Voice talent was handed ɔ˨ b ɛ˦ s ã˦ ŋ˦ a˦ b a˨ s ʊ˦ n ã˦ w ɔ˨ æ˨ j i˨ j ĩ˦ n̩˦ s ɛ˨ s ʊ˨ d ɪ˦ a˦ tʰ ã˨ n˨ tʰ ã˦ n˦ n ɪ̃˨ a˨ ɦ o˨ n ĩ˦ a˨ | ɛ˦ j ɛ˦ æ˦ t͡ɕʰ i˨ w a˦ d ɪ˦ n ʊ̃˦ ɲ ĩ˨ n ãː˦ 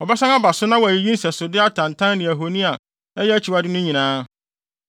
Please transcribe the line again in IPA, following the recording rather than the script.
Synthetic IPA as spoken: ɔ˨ b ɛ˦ s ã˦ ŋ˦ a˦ b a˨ s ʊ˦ n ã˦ w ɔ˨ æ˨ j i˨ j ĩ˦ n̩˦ s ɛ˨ s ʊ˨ d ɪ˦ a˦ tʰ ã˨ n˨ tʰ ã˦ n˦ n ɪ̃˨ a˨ ɦ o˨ n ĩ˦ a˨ | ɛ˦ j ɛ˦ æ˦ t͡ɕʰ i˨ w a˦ d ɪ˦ n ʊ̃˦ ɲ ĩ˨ n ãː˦

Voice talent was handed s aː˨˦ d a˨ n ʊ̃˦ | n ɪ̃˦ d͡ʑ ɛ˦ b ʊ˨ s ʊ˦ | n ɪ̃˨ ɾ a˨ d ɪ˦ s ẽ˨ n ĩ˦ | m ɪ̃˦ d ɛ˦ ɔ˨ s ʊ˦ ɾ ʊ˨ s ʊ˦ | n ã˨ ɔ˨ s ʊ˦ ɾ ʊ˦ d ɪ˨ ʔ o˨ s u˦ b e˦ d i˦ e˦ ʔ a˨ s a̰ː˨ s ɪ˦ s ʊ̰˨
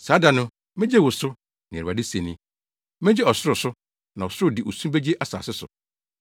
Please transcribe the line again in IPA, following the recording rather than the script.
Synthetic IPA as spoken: s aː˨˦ d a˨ n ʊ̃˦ | m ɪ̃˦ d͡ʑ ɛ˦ w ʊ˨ s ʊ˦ | n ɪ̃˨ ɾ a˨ d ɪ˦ s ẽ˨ n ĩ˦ | m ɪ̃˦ d͡ʑ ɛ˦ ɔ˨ s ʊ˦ ɾ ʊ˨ s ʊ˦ | n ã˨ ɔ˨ s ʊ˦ ɾ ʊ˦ d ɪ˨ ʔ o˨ s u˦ b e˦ d͡ʑ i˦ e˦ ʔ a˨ s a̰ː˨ s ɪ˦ s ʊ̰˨

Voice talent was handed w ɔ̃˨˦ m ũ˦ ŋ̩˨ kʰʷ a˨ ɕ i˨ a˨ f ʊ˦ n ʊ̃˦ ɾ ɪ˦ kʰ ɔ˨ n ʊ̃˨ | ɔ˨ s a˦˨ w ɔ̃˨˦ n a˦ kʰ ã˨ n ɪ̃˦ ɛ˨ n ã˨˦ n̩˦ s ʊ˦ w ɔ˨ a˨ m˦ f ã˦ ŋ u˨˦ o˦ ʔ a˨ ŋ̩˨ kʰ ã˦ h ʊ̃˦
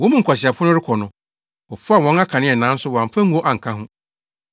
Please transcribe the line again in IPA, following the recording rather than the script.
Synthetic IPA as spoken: w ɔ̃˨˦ m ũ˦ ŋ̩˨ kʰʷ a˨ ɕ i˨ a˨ f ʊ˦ n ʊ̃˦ ɾ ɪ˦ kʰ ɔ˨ n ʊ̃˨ | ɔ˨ f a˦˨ w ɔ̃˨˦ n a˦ kʰ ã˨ n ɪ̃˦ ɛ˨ n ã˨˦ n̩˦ s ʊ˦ w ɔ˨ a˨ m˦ f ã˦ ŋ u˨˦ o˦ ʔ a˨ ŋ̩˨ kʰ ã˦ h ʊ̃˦

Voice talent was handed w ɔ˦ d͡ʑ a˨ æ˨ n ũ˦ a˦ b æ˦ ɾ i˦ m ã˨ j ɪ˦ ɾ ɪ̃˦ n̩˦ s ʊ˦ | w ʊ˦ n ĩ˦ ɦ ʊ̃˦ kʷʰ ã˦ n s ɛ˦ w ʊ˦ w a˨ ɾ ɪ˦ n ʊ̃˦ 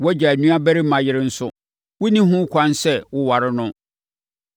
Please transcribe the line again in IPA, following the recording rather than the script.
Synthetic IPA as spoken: w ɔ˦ d͡ʑ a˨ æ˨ n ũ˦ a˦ b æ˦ ɾ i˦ m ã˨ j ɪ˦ ɾ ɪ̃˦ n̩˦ s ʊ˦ | w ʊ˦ n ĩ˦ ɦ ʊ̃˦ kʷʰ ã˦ n s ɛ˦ w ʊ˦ w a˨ ɾ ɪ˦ n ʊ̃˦

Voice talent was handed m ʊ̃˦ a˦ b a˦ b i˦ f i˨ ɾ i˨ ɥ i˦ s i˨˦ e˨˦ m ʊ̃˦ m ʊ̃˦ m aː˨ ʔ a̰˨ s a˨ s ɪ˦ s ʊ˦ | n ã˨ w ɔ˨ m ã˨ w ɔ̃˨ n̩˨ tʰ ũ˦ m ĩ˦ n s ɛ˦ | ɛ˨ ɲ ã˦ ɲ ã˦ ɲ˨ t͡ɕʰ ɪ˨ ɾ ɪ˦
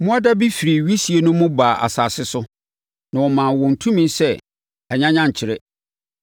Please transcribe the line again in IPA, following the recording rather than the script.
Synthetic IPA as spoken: m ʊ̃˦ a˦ d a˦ b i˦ f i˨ ɾ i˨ ɥ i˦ s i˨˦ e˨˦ n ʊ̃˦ m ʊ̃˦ b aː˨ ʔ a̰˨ s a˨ s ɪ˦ s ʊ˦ | n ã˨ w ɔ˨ m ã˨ w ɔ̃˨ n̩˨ tʰ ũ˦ m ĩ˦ n s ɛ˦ | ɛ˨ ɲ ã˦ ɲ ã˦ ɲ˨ t͡ɕʰ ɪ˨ ɾ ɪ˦

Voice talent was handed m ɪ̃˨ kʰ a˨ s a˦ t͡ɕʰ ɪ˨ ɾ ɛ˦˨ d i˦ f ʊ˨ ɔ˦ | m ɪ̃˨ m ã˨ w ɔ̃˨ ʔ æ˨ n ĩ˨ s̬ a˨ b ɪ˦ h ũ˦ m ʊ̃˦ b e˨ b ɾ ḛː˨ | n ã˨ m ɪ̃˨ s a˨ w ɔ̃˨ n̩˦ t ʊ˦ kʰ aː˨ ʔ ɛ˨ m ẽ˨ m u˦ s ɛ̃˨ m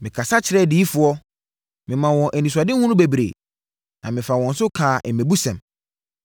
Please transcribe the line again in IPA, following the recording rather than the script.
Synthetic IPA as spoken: m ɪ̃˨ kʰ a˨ s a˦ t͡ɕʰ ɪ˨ ɾ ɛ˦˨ d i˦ f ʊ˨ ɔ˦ | m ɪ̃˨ m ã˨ w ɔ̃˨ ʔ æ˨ n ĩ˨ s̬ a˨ d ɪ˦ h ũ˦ n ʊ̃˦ b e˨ b ɾ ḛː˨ | n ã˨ m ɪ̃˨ f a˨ w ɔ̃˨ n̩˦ s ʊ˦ kʰ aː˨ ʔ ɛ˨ m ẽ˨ b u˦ s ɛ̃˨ m

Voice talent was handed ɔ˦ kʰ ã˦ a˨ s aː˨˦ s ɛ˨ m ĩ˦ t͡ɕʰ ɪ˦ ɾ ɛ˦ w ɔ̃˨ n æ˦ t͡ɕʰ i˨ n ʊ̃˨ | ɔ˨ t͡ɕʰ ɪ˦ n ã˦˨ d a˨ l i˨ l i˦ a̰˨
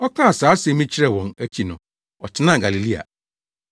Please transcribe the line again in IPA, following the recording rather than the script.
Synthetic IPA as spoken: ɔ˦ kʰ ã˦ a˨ s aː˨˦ s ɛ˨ m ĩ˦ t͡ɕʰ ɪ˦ ɾ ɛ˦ w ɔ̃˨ n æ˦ t͡ɕʰ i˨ n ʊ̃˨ | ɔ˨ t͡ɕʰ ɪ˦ n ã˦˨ ɡ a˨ l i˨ l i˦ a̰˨

